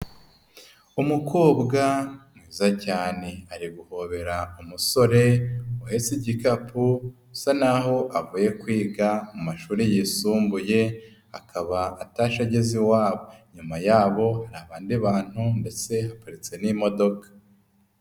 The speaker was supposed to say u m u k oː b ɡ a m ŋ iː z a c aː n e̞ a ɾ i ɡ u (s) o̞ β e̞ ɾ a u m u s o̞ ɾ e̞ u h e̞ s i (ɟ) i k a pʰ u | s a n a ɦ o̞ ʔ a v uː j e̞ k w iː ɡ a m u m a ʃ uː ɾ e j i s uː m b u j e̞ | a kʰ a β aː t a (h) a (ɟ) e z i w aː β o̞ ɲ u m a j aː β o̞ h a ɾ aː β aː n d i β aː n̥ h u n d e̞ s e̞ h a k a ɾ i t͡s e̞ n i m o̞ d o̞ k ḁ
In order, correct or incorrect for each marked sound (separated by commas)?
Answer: incorrect, correct, incorrect, correct